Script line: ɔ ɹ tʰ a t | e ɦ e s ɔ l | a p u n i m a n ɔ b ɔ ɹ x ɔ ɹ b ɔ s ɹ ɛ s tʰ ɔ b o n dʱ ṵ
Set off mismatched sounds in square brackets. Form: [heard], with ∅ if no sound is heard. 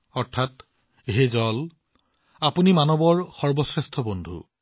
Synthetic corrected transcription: ɔ ɹ tʰ a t | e ɦ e [z] ɔ l | a p u n i m a n ɔ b ɔ ɹ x ɔ ɹ b ɔ s ɹ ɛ s tʰ ɔ b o n dʱ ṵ